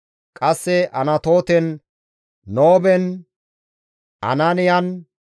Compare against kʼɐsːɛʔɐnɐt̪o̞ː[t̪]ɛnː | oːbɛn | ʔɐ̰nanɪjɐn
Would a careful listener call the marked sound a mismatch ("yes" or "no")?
no